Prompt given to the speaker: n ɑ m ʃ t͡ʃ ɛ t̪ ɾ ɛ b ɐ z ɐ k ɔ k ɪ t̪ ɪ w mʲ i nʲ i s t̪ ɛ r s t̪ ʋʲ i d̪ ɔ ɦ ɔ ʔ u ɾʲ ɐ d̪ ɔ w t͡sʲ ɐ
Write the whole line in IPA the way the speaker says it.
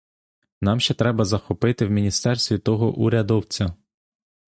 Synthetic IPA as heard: n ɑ m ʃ t͡ʃ ɛ t̪ ɾ ɛ b ɐ z ɐ x ɔ p ɪ t̪ ɪ w mʲ i nʲ i s t̪ ɛ r s t̪ ʋʲ i t̪ ɔ ɦ ɔ ʔ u ɾʲ ɐ d̪ ɔ w t͡sʲ ɐ